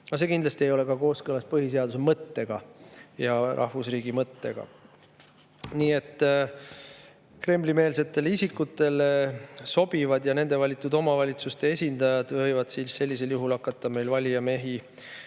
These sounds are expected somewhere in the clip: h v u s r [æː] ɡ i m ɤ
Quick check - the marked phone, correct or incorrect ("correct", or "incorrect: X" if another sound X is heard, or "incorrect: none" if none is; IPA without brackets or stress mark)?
incorrect: iː